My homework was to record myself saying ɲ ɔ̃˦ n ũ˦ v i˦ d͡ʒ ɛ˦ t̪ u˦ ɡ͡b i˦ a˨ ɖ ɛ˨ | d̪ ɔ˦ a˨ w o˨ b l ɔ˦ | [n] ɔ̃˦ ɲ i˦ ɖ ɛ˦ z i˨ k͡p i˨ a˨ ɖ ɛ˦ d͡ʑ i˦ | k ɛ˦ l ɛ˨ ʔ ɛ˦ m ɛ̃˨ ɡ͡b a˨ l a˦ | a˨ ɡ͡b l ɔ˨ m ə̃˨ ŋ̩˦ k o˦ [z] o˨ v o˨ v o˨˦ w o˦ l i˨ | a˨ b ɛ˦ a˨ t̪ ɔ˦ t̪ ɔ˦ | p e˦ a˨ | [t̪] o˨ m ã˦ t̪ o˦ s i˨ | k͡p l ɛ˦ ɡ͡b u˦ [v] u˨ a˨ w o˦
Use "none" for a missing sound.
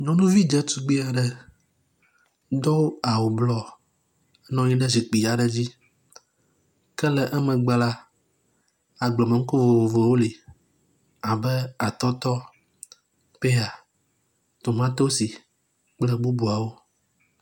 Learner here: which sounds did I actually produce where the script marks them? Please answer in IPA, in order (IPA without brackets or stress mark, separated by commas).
n, v, t̪, b